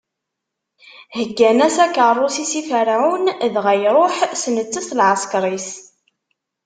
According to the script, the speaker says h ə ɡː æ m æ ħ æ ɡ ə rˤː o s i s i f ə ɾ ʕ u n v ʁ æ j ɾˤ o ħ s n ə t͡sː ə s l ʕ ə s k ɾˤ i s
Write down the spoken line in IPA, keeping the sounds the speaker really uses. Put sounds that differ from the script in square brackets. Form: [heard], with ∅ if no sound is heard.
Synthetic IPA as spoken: h ə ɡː æ [n] æ [s] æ [k] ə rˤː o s i s i f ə ɾ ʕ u n [ð] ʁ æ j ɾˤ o ħ s n ə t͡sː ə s l ʕ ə s k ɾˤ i s